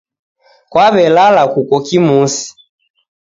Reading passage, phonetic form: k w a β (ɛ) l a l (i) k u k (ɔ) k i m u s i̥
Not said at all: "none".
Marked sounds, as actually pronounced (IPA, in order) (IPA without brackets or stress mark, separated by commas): ɛ, a, ɔ